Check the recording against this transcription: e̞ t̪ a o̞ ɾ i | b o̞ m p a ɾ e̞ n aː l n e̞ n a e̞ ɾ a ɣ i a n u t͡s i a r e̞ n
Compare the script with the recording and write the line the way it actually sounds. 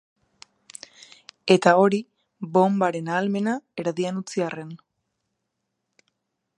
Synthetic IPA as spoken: e̞ t̪ a o̞ ɾ i | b o̞ m b a ɾ e̞ n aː l m e̞ n a e̞ ɾ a ð i a n u t͡s i a r e̞ n